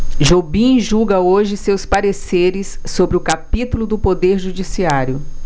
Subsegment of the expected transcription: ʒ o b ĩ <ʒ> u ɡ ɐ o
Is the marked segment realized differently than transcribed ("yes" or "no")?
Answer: no